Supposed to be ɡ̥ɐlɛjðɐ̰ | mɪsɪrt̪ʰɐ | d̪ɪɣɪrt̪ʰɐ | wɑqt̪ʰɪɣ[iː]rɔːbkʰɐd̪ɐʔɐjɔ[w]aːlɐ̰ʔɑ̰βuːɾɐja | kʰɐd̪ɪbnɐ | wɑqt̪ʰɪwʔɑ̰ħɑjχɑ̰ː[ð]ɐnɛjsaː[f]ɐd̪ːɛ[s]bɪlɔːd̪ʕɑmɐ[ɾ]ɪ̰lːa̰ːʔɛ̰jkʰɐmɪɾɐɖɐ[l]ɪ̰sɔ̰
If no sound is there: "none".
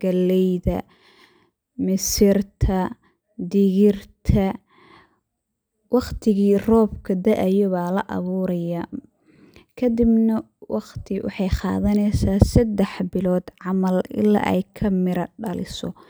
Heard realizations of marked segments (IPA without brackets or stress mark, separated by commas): iː, β, ð, s, ħ, l, l